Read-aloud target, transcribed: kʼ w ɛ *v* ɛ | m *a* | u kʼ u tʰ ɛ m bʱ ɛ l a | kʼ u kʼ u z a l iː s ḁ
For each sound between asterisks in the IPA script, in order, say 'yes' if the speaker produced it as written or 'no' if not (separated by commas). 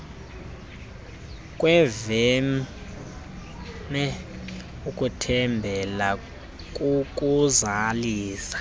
yes, no